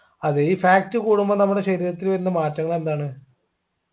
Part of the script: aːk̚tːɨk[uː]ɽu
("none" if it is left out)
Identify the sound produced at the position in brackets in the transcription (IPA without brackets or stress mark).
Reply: uː